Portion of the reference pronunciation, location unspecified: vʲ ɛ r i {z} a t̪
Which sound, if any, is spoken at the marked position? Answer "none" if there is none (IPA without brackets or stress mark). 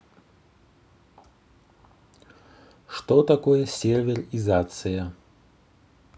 z